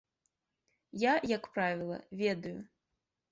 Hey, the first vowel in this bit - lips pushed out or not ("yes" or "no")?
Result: no